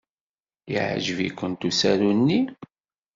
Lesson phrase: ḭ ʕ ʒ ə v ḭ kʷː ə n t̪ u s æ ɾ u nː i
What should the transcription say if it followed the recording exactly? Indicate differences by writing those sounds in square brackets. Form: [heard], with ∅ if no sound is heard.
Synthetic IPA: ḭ ʕ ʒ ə v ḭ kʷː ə n t̪ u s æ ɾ u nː i